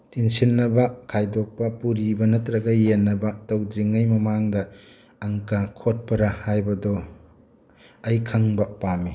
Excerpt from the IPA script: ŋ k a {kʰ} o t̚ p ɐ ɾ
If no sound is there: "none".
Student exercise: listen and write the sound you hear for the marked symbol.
kʰ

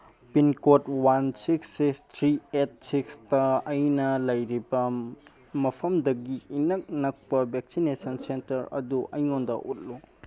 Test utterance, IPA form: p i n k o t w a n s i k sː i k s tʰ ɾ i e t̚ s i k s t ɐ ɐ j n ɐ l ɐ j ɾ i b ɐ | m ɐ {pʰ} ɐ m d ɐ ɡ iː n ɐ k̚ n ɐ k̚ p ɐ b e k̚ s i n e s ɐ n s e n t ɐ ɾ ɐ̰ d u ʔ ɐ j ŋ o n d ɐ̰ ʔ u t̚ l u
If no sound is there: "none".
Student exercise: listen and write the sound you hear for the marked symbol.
pʰ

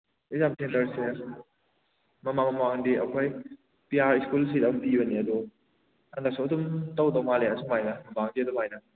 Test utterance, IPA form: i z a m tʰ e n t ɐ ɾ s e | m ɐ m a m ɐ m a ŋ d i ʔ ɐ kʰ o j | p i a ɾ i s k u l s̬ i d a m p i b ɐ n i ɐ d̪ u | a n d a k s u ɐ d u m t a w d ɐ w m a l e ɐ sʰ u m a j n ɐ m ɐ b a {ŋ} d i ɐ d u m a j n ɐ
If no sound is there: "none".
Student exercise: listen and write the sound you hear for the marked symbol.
ŋ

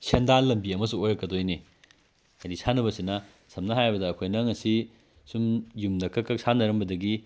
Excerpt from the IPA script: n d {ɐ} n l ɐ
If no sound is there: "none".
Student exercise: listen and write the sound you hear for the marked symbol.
a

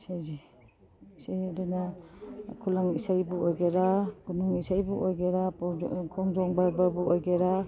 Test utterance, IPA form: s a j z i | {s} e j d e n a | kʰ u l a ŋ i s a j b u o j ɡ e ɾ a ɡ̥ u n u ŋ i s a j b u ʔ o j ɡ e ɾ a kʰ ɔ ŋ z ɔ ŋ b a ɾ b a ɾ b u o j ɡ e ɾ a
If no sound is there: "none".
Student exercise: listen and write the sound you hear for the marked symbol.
s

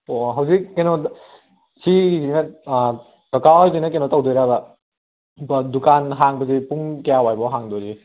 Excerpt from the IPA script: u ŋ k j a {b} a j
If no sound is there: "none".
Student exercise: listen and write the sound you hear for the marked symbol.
w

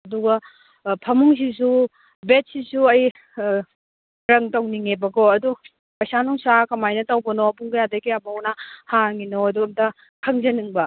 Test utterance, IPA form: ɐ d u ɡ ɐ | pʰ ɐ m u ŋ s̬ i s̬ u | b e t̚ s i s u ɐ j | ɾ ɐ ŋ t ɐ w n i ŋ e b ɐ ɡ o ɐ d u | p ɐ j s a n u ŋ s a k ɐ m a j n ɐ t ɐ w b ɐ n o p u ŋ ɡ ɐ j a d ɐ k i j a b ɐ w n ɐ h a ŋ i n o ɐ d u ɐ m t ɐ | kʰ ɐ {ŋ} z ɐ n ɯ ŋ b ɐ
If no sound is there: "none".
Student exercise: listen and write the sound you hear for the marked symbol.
ŋ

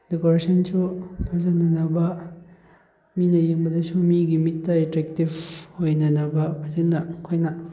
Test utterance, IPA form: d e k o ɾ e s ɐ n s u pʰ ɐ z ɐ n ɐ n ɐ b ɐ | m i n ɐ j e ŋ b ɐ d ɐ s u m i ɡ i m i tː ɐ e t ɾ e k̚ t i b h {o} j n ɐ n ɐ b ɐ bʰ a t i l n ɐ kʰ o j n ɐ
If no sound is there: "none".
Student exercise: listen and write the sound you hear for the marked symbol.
o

